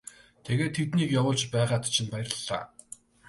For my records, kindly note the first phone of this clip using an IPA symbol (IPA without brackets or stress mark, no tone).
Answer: t̪ʰ